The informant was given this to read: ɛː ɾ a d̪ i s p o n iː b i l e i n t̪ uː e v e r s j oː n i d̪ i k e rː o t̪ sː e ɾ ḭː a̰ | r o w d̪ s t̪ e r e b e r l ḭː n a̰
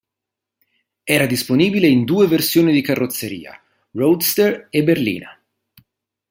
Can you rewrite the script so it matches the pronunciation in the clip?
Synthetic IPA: ɛː ɾ a d̪ i s p o n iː b i l e i n d̪ uː e v e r s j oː n i d̪ i k a rː o t̪ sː e ɾ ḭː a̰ | r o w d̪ s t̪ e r e b e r l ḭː n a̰